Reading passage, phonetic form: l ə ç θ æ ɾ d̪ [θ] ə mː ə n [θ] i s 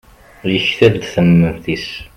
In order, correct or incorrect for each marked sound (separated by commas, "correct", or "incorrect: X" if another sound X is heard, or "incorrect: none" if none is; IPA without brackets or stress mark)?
correct, correct